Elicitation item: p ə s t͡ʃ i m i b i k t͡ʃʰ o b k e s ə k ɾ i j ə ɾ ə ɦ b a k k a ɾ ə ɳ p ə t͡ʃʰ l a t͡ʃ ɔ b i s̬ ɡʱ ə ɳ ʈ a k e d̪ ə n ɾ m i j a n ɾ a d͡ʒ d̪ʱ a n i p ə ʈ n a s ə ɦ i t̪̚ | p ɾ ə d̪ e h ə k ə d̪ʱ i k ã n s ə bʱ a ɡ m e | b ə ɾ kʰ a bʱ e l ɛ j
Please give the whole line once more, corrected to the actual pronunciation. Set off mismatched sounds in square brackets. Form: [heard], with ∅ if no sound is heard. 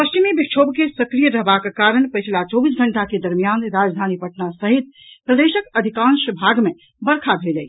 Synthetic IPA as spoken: p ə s t͡ʃ i m i b i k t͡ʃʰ o b k e s ə k ɾ i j ə ɾ ə ɦ b a k k a ɾ ə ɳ p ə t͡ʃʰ l a t͡ʃ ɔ b i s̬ ɡʱ ə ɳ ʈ a k e d̪ ə [∅] ɾ m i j a n ɾ a d͡ʒ d̪ʱ a n i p ə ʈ n a s ə ɦ i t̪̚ | p ɾ ə d̪ e [s] ə k ə d̪ʱ i k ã n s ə bʱ a ɡ m e | b ə ɾ kʰ a bʱ e l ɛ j

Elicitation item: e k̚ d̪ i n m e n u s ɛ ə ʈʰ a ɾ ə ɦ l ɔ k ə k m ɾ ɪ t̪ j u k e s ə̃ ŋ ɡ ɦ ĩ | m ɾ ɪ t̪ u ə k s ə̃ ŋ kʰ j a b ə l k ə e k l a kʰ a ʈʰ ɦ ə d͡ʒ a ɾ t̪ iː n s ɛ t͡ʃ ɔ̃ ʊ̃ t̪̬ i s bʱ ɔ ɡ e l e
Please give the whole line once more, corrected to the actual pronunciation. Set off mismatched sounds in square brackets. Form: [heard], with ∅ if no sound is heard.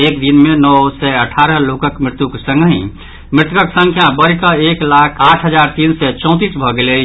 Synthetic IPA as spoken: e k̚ d̪ i n m e n [ɔ] s ɛ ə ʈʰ a ɾ ə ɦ l [o] k ə k m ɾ ɪ t̪ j u k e s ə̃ ŋ ɡ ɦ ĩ | m ɾ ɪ t̪ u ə k s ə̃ ŋ kʰ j a b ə [ɾ] k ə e k l a kʰ a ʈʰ ɦ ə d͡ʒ a ɾ t̪ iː n s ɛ t͡ʃ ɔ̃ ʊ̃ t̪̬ i s bʱ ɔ ɡ e l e

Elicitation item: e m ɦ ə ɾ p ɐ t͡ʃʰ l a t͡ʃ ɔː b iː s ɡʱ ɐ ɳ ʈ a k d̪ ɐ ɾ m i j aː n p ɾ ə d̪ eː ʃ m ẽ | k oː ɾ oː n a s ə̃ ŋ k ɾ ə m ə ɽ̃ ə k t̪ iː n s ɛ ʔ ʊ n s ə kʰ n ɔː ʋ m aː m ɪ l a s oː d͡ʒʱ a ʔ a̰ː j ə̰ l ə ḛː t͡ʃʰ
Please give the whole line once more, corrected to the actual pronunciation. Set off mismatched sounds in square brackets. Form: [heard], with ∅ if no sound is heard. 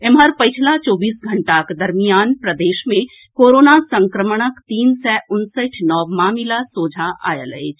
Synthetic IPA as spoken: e m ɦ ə ɾ p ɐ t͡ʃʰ l a t͡ʃ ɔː b iː s ɡʱ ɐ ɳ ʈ a k d̪ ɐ ɾ m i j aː n p ɾ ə d̪ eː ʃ m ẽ | k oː ɾ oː n a s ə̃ ŋ k ɾ ə m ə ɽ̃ ə k t̪ iː n s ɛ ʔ ʊ n s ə [ʈʰ] n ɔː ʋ m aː m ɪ l a s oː d͡ʒʱ a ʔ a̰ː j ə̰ l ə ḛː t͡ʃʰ

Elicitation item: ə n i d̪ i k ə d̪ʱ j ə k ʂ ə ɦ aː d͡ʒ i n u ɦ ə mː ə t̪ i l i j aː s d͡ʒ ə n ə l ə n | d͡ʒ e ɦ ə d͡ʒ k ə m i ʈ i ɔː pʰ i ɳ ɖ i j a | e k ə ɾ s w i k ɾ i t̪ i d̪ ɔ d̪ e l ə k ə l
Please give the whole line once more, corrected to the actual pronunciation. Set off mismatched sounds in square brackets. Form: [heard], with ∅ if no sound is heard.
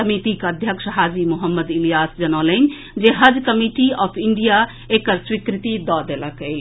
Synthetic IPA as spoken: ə [m] i [t̪] i k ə d̪ʱ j ə k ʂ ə ɦ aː d͡ʒ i [m] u ɦ ə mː ə [d̪] i l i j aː s d͡ʒ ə n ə l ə n | d͡ʒ e ɦ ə d͡ʒ k ə m i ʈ i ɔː pʰ i ɳ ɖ i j a | e k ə ɾ s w i k ɾ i t̪ i d̪ ɔ d̪ e l ə k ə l

